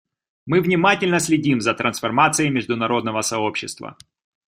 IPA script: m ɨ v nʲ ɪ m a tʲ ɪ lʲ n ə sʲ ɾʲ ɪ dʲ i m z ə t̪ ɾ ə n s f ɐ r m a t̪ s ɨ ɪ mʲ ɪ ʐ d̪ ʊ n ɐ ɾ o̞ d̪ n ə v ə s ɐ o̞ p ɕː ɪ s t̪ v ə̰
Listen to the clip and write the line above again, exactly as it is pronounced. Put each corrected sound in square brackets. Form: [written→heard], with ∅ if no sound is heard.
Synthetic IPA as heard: m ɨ v nʲ ɪ m a tʲ ɪ lʲ n ə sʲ [ɾʲ→lʲ] ɪ dʲ i m z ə t̪ ɾ ə n s f ɐ r m a t̪ s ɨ ɪ mʲ ɪ ʐ d̪ ʊ n ɐ ɾ o̞ d̪ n ə v ə s ɐ o̞ p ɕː ɪ s t̪ v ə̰

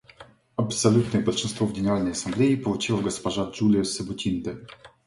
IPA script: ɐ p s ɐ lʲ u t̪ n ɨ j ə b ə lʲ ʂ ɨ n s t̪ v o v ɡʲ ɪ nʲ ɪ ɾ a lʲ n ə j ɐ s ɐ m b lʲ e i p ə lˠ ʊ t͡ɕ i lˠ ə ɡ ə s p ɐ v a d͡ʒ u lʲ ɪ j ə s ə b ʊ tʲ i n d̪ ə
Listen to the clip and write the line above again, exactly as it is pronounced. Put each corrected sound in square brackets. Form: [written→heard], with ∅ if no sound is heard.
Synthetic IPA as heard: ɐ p s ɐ lʲ u t̪ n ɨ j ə b ə lʲ ʂ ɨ n s t̪ v o v ɡʲ ɪ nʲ ɪ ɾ a lʲ n ə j ɐ s ɐ m b lʲ e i p ə lˠ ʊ t͡ɕ i lˠ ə ɡ ə s p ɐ [v→ʐ] a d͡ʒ u lʲ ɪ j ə s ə b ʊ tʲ i n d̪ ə

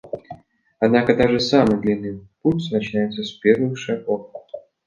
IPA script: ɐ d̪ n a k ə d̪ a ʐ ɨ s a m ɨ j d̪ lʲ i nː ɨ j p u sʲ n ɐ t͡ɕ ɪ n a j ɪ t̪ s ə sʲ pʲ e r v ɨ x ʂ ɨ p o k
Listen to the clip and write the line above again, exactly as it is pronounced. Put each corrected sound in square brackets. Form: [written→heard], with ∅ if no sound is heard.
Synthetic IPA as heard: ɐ d̪ n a k ə d̪ a ʐ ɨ s a m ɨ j d̪ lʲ i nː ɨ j p u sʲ n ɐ t͡ɕ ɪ n a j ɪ t̪ s ə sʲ pʲ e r v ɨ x ʂ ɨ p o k

